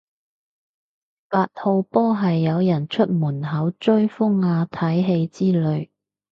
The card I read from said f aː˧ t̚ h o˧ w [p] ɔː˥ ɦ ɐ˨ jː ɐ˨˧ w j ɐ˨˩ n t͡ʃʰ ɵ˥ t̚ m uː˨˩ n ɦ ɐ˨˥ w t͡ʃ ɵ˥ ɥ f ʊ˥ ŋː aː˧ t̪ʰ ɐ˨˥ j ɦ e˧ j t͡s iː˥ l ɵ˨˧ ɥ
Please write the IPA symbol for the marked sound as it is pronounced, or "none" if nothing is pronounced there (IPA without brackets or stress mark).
p